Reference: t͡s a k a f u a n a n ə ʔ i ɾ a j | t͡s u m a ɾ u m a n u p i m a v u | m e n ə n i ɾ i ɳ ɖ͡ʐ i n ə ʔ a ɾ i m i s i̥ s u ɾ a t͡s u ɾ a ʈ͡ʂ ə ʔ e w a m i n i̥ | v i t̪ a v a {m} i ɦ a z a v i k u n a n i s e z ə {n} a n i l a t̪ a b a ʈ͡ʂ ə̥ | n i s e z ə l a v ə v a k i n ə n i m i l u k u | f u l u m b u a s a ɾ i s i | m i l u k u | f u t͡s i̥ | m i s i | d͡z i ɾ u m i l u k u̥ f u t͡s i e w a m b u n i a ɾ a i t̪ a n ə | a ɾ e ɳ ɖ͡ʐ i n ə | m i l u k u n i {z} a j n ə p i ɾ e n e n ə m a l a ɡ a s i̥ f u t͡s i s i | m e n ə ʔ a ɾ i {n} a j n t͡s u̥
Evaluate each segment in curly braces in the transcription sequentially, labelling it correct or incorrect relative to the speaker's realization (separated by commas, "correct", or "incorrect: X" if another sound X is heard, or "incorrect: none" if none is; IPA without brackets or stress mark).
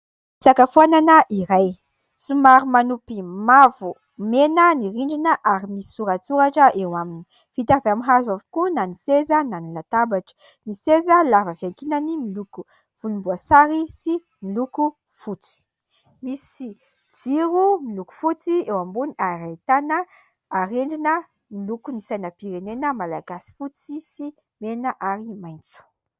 correct, correct, incorrect: s, incorrect: m